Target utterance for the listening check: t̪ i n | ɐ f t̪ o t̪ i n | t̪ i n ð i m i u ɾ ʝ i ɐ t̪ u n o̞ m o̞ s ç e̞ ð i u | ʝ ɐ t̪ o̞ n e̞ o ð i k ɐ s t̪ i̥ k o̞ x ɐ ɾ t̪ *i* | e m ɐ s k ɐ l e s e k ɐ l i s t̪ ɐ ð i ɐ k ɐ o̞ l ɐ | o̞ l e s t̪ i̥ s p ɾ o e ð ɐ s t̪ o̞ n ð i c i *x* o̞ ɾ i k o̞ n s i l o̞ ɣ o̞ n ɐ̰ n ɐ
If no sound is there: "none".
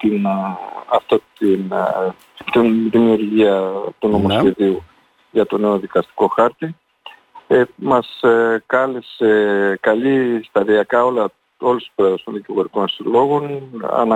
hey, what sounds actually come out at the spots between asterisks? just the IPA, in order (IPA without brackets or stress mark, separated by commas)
i, ɣ